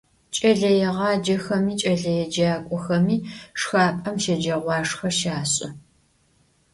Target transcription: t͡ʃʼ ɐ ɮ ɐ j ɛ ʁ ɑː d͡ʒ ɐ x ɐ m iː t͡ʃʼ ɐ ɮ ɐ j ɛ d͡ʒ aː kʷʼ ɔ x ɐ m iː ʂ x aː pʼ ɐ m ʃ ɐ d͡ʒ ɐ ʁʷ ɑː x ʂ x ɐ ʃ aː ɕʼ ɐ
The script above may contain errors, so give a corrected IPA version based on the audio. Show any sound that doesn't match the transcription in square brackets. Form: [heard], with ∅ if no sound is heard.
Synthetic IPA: t͡ʃʼ ɐ ɮ ɐ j ɛ ʁ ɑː d͡ʒ ɐ x ɐ m iː t͡ʃʼ ɐ ɮ ɐ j ɛ d͡ʒ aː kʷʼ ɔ x ɐ m iː ʂ x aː pʼ ɐ m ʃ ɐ d͡ʒ ɐ ʁʷ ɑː [∅] ʂ x ɐ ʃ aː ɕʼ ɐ

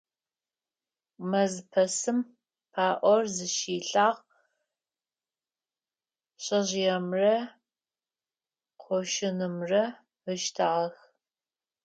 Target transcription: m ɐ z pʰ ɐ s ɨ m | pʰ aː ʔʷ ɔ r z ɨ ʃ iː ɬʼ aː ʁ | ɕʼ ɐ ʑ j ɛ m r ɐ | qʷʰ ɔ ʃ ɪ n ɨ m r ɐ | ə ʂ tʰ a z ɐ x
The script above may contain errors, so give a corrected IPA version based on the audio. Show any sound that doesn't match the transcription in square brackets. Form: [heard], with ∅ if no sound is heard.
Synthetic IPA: m ɐ z pʰ ɐ s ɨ m | pʰ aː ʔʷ ɔ r z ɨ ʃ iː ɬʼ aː ʁ | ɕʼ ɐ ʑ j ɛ m r ɐ | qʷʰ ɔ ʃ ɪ n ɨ m r ɐ | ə [ʃ] tʰ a [ʁ] ɐ x

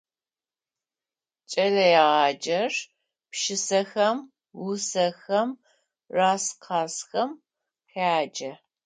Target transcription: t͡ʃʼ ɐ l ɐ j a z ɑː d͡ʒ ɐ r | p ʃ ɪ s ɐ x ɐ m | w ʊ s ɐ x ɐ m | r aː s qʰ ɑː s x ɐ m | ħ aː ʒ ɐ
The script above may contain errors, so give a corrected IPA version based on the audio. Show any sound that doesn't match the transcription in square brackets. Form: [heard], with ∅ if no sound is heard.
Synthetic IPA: t͡ʃʼ ɐ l ɐ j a [ʁ] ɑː d͡ʒ ɐ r | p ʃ ɪ s ɐ x ɐ m | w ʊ s ɐ x ɐ m | r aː s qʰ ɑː s x ɐ m | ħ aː [d͡ʒ] ɐ

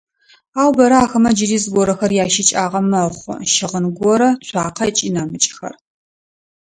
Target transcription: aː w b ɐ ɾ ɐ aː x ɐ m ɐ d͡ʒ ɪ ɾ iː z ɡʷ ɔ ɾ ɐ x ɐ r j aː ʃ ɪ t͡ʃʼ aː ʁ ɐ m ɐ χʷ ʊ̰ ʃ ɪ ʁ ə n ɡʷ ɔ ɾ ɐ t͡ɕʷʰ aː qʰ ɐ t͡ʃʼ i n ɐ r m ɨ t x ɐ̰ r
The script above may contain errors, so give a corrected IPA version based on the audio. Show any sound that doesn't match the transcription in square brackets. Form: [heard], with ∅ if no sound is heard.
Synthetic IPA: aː w b ɐ ɾ ɐ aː x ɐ m ɐ d͡ʒ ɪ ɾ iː z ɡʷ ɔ ɾ ɐ x ɐ r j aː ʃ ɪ t͡ʃʼ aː ʁ ɐ m ɐ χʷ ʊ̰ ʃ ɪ ʁ ə n ɡʷ ɔ ɾ ɐ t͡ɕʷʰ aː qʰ ɐ t͡ʃʼ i n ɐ [∅] m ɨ [t͡ʃʼ] x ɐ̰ r

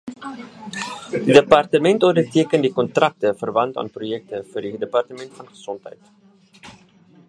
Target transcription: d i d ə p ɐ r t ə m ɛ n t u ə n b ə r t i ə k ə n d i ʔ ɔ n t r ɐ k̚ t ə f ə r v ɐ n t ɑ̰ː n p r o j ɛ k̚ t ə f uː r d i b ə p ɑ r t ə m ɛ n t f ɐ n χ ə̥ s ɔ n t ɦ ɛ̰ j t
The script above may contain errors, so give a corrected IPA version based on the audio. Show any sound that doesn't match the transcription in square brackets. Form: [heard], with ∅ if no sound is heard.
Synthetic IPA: d i d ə p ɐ r t ə m ɛ n t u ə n [d] ə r t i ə k ə n d i [k] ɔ n t r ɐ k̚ t ə f ə r v ɐ n t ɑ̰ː n p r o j ɛ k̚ t ə f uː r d i [d] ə p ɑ r t ə m ɛ n t f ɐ n χ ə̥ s ɔ n t ɦ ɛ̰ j t

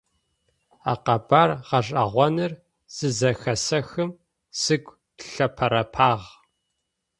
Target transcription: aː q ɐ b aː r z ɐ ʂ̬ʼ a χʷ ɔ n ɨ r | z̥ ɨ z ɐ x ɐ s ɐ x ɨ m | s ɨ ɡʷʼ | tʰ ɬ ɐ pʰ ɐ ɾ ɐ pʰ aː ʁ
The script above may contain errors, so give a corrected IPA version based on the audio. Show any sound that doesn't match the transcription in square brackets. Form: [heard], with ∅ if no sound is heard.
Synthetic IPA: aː q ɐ b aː r [ʁ] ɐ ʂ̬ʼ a [ʁʷ] ɔ n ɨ r | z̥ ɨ z ɐ x ɐ s ɐ x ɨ m | s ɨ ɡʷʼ | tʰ ɬ ɐ pʰ ɐ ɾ ɐ pʰ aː ʁ

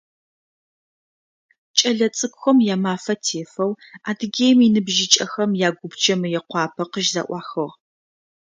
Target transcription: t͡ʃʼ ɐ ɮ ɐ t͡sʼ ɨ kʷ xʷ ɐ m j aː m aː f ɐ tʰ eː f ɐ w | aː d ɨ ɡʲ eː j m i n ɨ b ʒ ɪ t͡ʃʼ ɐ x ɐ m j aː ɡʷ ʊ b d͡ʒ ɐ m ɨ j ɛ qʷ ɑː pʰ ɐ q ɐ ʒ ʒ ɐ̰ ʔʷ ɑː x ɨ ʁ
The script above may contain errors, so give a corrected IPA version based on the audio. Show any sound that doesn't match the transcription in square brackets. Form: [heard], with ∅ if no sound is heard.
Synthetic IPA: t͡ʃʼ ɐ ɮ ɐ t͡sʼ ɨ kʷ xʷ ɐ m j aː m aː f ɐ tʰ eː f ɐ w | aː d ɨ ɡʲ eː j m i n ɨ b ʒ ɪ t͡ʃʼ ɐ x ɐ m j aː ɡʷ ʊ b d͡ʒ ɐ m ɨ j ɛ qʷ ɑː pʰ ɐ q [ə] ʒ [z] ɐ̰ ʔʷ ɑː x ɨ ʁ

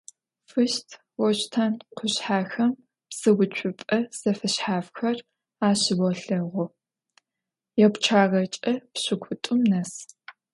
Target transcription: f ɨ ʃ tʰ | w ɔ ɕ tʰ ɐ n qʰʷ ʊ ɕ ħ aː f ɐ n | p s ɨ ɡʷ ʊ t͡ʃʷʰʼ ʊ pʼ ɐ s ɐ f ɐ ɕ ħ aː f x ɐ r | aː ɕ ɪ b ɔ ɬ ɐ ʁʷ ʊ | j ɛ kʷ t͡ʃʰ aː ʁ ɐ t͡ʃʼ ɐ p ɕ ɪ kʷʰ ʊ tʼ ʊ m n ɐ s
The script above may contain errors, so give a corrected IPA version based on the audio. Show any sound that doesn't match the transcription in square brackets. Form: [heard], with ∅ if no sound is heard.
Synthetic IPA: f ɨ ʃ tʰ | w ɔ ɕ tʰ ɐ n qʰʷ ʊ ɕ ħ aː [x] ɐ [m] | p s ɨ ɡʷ ʊ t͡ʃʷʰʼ ʊ pʼ ɐ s ɐ f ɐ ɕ ħ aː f x ɐ r | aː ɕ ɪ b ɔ ɬ ɐ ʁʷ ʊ | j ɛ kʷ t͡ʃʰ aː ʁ ɐ t͡ʃʼ ɐ p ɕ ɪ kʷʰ ʊ tʼ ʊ m n ɐ s

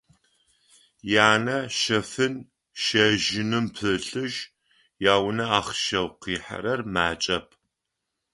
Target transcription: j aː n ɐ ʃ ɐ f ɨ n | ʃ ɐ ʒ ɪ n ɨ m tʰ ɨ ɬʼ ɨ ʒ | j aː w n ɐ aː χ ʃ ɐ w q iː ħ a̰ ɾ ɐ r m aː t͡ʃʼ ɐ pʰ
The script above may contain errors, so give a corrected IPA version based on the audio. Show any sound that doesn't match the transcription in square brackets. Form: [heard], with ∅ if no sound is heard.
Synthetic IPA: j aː n ɐ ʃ ɐ f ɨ n | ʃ ɐ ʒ ɪ n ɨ m [pʰ] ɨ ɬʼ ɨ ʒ | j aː w n ɐ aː χ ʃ ɐ w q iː ħ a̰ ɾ ɐ r m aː t͡ʃʼ ɐ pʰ

